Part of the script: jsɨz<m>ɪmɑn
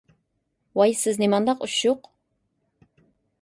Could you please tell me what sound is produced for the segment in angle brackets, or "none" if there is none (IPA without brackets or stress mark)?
n